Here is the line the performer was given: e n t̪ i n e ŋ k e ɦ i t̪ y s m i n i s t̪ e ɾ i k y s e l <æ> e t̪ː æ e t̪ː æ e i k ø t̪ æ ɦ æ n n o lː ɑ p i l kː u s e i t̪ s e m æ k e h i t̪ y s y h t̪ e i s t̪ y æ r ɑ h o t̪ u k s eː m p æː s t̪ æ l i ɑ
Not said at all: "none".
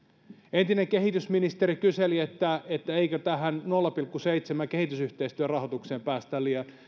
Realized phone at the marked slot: i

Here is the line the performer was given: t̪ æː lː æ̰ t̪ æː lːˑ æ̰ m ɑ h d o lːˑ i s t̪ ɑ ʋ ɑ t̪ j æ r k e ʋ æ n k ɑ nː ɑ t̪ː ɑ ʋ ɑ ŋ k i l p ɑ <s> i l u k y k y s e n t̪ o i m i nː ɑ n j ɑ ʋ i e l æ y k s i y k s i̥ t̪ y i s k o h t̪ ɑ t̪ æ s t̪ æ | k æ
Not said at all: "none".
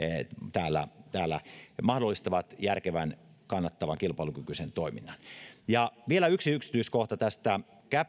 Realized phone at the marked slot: none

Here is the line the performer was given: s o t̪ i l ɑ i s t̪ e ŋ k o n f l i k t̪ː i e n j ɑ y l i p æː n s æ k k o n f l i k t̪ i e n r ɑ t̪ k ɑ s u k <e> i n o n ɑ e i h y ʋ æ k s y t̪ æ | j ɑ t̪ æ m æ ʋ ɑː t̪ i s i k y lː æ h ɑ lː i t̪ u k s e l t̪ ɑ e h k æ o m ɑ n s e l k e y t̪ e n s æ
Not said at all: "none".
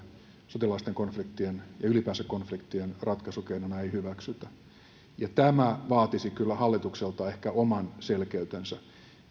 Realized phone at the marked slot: e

